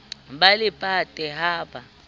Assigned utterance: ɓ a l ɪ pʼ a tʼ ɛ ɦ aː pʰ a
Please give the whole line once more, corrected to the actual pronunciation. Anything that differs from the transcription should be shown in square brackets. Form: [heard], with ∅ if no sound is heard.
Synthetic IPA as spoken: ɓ a l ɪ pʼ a tʼ ɛ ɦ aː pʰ a